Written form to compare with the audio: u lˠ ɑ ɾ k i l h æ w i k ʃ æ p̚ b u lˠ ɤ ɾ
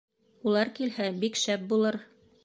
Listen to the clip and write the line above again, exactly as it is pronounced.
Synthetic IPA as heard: u lˠ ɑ ɾ k i l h æ b i k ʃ æ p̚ b u lˠ ɤ ɾ